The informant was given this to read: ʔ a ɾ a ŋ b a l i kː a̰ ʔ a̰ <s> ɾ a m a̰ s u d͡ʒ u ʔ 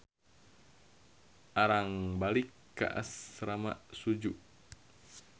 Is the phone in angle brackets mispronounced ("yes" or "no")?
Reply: no